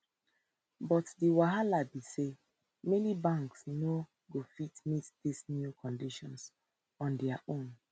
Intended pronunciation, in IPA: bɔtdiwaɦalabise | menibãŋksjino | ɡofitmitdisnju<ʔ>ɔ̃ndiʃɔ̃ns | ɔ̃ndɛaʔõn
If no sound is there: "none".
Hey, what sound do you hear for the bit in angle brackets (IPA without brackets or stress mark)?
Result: k